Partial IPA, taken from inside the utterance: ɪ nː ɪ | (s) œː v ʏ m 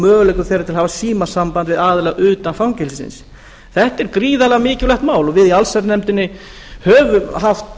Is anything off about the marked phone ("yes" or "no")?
yes